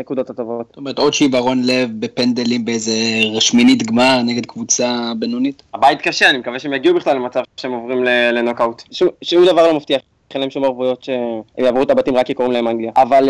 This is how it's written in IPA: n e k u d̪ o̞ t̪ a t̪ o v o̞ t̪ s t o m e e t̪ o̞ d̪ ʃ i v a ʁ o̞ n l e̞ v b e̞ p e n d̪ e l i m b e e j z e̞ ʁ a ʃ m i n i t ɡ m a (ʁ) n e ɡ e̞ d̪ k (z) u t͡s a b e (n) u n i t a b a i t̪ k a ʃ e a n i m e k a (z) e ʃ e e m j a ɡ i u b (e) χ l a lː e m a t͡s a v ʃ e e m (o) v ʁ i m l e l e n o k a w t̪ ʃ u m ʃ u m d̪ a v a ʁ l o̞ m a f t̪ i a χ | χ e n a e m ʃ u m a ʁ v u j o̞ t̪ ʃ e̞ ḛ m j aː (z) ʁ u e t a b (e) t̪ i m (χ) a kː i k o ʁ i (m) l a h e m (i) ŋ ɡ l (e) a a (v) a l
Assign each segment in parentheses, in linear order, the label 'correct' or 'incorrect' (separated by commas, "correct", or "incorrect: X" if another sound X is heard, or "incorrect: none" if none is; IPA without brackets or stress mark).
correct, incorrect: v, correct, incorrect: v, incorrect: i, correct, incorrect: v, incorrect: a, incorrect: ʁ, correct, incorrect: a, incorrect: i, correct